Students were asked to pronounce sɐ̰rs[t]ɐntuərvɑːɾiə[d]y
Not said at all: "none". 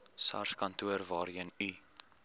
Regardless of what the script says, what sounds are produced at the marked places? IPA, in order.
k, n

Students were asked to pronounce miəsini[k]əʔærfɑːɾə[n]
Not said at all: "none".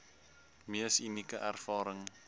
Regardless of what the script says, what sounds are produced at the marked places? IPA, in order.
k, ŋ

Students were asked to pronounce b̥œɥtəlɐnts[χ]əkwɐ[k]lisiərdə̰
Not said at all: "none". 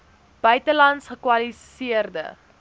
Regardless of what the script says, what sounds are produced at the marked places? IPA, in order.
χ, none

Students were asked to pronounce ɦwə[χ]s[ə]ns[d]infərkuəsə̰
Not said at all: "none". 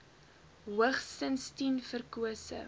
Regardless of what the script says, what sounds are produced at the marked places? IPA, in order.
χ, ə, t

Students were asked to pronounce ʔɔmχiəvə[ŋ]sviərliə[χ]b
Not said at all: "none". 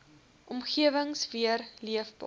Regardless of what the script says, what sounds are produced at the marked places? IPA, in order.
ŋ, f

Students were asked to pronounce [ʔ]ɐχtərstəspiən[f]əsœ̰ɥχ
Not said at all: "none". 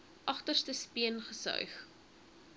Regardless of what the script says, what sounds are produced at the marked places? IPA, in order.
ʔ, χ

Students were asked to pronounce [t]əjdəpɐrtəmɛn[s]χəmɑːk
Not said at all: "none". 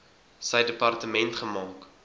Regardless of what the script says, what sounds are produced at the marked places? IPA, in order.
s, t

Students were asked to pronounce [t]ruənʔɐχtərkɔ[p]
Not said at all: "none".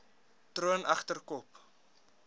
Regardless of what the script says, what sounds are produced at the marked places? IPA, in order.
t, p

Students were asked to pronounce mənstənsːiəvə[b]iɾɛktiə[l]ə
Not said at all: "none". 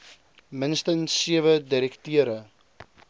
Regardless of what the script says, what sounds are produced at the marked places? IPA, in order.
d, ɾ

